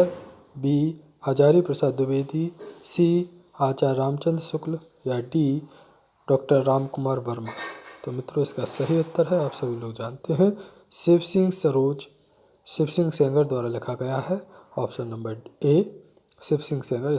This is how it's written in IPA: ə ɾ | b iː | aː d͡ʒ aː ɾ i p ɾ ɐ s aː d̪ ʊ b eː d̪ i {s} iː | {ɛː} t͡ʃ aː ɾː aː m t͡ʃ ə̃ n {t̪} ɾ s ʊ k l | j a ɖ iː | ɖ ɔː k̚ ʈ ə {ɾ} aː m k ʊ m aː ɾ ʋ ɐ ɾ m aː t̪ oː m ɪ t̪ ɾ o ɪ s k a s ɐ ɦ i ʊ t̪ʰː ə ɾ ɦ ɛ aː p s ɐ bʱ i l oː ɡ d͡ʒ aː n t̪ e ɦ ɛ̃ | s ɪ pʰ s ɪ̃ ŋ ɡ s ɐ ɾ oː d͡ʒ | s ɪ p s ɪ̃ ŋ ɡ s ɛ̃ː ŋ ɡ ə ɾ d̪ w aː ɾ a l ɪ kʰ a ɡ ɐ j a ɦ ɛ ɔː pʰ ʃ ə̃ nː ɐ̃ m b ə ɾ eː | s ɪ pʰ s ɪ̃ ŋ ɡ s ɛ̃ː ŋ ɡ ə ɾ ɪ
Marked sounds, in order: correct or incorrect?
correct, incorrect: aː, incorrect: d̪, incorrect: ɾː

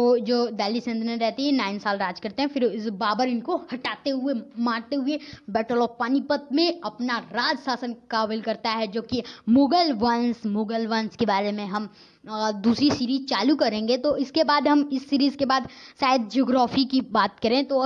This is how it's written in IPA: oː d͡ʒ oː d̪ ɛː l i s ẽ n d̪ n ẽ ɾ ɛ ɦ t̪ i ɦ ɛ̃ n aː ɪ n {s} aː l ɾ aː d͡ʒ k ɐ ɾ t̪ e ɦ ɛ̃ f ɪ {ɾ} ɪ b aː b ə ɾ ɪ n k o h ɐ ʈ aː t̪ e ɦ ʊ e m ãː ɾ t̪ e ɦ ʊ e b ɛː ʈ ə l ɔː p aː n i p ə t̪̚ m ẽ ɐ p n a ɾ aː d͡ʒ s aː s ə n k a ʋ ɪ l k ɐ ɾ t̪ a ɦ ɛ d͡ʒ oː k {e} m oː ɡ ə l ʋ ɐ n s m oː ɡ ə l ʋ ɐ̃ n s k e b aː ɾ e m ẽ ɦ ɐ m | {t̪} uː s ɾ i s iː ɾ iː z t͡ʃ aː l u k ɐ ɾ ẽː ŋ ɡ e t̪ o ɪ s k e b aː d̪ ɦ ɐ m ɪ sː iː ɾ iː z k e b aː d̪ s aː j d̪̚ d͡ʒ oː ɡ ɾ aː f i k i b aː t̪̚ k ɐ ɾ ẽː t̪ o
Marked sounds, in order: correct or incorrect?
correct, correct, incorrect: i, incorrect: d̪

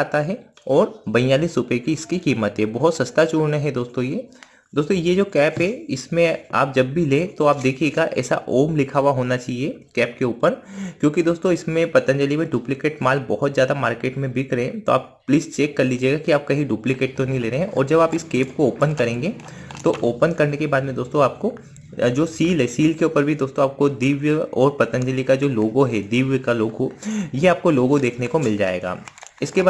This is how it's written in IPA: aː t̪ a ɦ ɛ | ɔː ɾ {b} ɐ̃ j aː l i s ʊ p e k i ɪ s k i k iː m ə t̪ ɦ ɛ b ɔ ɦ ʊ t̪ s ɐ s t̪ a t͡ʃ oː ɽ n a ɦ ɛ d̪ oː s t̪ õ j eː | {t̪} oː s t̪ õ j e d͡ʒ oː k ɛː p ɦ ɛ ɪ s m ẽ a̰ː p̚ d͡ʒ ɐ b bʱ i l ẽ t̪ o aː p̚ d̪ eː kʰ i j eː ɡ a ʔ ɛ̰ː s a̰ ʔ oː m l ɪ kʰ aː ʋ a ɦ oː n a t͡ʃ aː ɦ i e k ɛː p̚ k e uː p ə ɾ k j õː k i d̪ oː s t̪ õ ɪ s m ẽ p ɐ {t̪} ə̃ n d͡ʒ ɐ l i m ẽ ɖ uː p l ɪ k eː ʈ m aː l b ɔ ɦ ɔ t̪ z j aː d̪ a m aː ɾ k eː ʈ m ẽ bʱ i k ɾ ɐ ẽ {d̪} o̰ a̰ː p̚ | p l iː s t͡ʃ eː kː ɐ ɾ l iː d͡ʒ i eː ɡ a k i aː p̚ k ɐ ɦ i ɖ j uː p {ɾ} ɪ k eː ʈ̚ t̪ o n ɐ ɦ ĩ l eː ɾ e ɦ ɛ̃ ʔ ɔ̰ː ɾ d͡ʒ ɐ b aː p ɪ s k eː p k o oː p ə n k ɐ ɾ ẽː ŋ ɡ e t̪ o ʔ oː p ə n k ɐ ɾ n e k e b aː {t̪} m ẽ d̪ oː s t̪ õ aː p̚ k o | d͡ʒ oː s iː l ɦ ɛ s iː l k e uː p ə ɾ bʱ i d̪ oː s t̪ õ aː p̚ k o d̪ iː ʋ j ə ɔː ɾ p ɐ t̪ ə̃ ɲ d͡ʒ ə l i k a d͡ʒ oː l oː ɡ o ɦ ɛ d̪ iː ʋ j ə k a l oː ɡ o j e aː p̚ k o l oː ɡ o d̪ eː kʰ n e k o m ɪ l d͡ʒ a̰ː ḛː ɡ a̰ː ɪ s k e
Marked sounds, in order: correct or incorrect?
correct, incorrect: d̪, correct, incorrect: t̪, incorrect: l, incorrect: d̪

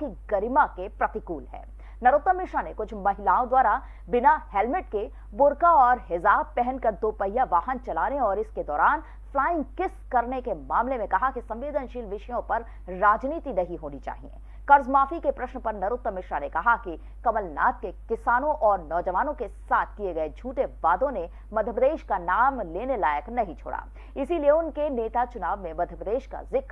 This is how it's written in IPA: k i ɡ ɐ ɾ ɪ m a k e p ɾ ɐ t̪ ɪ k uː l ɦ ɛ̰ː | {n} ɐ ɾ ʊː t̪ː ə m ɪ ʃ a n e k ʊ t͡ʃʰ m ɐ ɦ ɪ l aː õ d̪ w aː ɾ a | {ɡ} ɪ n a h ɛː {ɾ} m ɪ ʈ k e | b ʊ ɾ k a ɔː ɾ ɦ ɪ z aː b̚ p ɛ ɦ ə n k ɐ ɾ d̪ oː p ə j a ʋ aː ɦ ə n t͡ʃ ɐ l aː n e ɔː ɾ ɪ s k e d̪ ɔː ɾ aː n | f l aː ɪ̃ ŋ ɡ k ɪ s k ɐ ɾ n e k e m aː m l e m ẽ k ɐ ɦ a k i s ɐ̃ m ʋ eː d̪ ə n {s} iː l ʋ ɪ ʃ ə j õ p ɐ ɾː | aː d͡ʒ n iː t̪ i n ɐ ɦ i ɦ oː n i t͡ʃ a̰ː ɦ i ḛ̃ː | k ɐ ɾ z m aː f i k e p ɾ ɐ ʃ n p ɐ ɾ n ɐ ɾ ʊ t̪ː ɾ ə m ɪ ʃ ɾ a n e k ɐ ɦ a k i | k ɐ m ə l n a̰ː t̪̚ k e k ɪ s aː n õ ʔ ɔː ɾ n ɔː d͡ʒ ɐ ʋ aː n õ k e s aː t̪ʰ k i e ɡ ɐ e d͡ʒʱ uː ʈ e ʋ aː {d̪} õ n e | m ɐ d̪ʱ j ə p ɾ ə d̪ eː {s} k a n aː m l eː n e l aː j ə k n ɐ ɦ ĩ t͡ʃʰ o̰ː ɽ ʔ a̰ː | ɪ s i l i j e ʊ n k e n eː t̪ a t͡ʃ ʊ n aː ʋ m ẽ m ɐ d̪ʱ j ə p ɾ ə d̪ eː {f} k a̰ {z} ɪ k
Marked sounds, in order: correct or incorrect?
correct, incorrect: b, incorrect: l, incorrect: ʃ, correct, incorrect: ʃ, incorrect: ʃ, correct

